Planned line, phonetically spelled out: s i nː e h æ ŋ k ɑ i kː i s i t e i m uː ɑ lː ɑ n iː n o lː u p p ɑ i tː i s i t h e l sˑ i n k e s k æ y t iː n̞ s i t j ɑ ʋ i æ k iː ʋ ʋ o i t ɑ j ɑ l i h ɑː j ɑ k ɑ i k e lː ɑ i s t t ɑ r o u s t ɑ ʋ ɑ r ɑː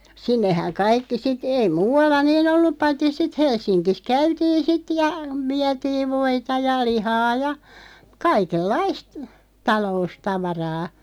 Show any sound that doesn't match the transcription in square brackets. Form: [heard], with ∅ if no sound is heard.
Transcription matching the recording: s i nː e h æ ŋ k ɑ i kː i s i t e i m uː ɑ lː ɑ n iː n o lː u p p ɑ i tː i s i t h e l sˑ i n k [i] s k æ y t iː n̞ s i t j ɑ ʋ i æ [t] iː ʋ ʋ o i t ɑ j ɑ l i h ɑː j ɑ k ɑ i k e lː ɑ i s t t ɑ [l] o u s t ɑ ʋ ɑ r ɑː